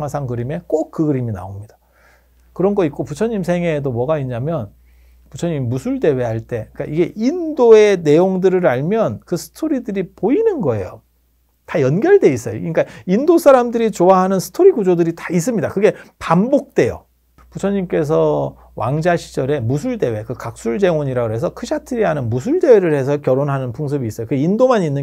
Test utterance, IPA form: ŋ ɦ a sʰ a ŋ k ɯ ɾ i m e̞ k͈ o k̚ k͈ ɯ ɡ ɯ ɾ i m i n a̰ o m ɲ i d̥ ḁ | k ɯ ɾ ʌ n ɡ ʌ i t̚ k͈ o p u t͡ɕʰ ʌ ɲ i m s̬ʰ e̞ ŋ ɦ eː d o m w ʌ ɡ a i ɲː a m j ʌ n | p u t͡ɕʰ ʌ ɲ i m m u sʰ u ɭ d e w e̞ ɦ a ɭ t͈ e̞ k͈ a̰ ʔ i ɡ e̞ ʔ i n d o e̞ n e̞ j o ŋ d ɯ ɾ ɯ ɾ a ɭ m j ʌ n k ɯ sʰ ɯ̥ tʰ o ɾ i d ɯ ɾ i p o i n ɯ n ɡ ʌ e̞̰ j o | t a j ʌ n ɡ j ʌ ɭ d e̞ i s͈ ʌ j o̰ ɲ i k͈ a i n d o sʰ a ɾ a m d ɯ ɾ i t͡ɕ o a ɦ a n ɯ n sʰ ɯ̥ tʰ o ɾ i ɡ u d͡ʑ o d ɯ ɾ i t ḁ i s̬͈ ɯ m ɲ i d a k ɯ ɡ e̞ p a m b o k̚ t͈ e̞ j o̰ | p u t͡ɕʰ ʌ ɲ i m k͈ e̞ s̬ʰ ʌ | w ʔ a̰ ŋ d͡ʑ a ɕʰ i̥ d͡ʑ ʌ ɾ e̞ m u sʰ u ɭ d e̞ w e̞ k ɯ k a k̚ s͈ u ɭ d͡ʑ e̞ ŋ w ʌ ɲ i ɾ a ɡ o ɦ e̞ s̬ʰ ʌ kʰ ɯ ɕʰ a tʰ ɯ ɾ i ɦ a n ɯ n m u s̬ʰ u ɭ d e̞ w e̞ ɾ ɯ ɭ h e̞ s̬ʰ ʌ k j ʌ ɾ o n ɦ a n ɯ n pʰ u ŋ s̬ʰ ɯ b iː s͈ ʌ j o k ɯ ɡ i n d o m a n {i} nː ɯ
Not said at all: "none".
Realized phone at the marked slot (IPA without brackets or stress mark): i